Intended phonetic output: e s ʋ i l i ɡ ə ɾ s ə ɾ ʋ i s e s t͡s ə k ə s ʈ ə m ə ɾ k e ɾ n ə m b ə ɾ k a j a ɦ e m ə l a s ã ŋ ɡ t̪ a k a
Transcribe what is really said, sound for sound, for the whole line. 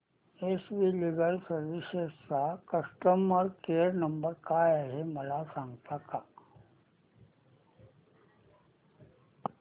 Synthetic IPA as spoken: e s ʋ i l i ɡ ə l s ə ɾ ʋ i s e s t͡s a k ə s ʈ ə m ə ɾ k e ɾ n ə m b ə ɾ k a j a ɦ e m ə l a s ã ŋ ɡ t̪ a k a